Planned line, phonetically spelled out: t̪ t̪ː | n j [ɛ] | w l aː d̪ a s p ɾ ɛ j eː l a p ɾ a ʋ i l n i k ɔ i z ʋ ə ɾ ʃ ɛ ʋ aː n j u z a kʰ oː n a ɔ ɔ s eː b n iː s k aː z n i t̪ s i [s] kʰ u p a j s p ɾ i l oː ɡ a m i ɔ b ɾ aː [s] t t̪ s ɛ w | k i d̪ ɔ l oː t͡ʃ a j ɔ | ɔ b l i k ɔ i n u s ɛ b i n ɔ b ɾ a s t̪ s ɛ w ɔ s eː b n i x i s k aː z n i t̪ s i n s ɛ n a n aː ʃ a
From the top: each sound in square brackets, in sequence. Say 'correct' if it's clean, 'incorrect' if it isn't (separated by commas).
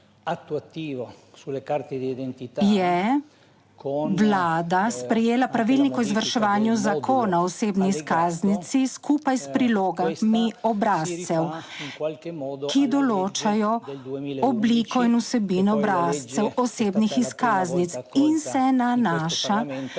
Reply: correct, correct, correct